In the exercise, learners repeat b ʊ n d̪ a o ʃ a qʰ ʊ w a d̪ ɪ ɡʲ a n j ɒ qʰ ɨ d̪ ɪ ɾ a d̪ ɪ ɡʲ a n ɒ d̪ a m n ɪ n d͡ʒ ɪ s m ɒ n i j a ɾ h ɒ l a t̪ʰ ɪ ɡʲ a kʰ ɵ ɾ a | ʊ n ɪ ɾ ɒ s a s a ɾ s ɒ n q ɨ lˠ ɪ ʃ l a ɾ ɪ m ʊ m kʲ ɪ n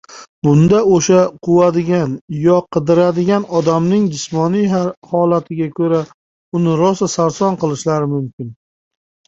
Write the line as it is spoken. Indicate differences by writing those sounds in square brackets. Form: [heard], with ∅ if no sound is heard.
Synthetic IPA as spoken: b ʊ n d̪ a o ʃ a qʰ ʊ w a d̪ ɪ ɡʲ a n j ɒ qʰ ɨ d̪ ɪ ɾ a d̪ ɪ ɡʲ a n ɒ d̪ a m n ɪ [ŋ] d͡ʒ ɪ s m ɒ n i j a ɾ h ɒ l a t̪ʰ ɪ ɡʲ a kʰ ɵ ɾ a | ʊ n ɪ ɾ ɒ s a s a ɾ s ɒ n q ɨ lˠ ɪ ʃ l a ɾ ɪ m ʊ m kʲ ɪ n